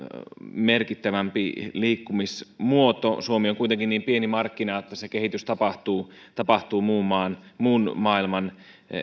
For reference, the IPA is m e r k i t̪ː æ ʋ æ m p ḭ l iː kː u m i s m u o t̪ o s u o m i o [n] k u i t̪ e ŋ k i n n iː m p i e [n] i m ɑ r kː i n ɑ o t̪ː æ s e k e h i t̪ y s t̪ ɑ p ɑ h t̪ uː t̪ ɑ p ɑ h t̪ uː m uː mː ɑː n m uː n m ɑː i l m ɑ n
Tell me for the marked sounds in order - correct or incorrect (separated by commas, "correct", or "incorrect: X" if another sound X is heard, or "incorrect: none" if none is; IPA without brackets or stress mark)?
incorrect: ŋ, correct